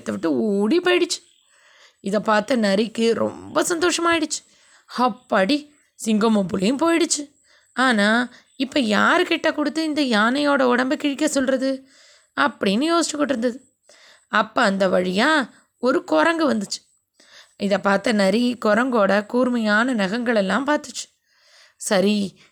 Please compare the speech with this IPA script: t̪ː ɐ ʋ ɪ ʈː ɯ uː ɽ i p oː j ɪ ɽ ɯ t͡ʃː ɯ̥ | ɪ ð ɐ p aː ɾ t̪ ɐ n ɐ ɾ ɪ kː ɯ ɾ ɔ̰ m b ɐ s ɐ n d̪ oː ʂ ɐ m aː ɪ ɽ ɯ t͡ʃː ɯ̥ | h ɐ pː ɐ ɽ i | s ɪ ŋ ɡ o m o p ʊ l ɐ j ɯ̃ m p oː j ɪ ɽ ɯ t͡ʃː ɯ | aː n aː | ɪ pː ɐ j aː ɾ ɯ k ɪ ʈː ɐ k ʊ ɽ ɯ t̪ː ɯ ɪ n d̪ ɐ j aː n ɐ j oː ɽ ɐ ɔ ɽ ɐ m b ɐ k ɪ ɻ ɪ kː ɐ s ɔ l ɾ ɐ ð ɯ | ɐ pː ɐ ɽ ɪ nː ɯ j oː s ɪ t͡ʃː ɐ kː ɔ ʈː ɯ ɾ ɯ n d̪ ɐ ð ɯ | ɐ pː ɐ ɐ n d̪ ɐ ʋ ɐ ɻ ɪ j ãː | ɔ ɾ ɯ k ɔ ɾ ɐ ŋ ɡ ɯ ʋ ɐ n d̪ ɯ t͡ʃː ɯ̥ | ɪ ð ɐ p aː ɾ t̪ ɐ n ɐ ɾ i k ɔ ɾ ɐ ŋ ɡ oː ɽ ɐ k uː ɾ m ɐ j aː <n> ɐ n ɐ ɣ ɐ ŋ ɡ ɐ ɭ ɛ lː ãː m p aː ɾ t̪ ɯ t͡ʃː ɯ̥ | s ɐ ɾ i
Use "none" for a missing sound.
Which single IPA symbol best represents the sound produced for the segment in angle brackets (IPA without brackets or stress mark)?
n